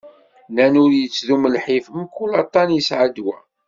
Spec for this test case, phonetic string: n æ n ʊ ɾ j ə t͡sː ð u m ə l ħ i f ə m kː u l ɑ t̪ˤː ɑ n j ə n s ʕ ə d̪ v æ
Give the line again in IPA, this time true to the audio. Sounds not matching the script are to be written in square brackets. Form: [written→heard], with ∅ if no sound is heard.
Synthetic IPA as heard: n æ n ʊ ɾ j ə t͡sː ð u m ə l ħ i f ə m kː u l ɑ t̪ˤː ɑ n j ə [n→∅] s ʕ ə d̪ [v→w] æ

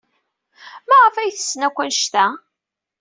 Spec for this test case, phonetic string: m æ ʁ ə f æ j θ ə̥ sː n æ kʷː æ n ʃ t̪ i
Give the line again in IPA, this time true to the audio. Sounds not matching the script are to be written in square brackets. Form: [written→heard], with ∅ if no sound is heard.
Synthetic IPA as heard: m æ ʁ ə f æ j θ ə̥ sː n æ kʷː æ n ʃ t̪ [i→æ]

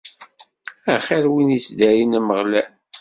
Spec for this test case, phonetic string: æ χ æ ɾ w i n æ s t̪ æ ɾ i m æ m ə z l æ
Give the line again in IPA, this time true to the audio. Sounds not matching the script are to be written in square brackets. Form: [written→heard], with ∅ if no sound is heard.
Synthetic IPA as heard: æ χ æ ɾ w i n [æ→i] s [t̪→d̪] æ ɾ i [m→n] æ m ə [z→ʁ] l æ

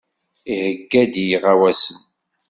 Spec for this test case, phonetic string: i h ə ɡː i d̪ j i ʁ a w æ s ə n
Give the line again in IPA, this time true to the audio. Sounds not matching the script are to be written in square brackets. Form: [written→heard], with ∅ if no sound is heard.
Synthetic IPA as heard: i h ə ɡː [i→æ] d̪ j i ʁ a w æ s ə n

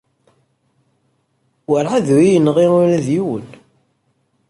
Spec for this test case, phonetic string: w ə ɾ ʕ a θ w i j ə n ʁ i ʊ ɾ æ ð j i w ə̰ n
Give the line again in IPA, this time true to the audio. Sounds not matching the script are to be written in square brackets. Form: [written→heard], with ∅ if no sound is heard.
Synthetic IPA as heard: w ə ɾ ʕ a [θ→ð] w i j ə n ʁ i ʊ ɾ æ ð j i w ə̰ n

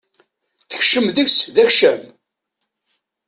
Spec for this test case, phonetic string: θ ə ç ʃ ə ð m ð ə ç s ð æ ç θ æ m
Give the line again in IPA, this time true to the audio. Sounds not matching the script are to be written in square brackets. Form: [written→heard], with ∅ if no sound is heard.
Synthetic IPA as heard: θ ə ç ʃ ə [ð→∅] m ð ə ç s ð æ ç [θ→ʃ] æ m

